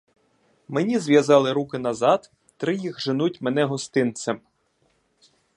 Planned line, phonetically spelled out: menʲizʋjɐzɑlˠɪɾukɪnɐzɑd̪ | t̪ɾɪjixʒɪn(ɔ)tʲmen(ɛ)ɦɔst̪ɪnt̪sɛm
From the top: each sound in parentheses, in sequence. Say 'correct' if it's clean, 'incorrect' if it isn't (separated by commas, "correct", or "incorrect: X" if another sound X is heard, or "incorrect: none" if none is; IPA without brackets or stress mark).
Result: incorrect: u, correct